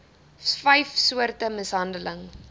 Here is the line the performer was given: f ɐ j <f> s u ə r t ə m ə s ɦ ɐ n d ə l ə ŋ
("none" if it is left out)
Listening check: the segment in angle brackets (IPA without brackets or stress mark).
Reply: f